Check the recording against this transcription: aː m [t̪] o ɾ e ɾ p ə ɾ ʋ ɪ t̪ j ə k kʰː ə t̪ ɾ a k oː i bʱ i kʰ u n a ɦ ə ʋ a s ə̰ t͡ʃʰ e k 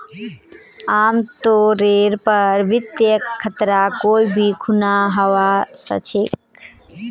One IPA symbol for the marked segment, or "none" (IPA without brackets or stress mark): t̪